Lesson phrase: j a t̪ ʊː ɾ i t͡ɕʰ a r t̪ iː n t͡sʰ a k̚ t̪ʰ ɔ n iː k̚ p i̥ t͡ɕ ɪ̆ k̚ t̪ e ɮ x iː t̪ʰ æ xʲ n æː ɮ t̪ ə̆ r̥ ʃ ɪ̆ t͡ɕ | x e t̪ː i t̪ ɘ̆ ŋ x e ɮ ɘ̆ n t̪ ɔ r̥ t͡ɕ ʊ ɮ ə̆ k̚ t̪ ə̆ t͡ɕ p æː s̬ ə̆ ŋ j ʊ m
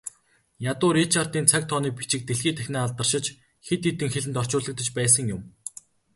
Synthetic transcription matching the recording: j a t̪ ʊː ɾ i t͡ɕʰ a r t̪ iː n t͡sʰ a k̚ t̪ʰ ɔ n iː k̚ p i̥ t͡ɕ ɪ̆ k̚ t̪ e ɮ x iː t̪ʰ æ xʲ n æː ɮ t̪ ə̆ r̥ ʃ ɪ̆ t͡ɕ | x e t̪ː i t̪ ɘ̆ ŋ x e ɮ ɘ̆ n t̪ ɔ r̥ t͡ɕ ʊː ɮ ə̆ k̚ t̪ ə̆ t͡ɕ p æː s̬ ə̆ ŋ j ʊ m